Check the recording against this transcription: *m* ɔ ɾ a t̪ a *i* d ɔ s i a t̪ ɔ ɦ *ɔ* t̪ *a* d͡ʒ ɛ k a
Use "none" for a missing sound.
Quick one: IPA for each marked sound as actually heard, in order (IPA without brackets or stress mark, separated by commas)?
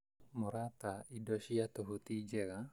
m, i, u, i